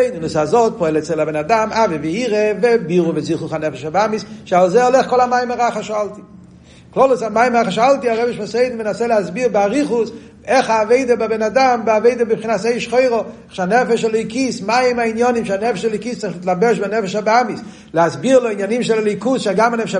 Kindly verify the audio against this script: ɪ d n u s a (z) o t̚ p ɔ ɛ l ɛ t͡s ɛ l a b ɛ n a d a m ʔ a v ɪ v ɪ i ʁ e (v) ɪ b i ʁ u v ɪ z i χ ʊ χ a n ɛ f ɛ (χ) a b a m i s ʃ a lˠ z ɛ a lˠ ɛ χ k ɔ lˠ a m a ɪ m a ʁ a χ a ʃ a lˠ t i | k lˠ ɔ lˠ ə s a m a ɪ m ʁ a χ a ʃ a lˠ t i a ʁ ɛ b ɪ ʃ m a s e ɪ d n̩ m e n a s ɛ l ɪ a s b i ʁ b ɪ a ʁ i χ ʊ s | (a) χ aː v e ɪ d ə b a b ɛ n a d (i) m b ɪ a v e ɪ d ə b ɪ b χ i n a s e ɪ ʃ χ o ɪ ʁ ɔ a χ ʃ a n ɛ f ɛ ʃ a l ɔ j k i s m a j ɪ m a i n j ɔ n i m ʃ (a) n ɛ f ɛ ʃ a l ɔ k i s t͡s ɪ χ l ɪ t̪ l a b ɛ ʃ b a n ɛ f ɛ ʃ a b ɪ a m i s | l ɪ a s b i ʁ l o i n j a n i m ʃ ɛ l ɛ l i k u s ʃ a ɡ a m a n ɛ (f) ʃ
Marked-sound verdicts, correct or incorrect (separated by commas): correct, correct, incorrect, incorrect, incorrect, correct, correct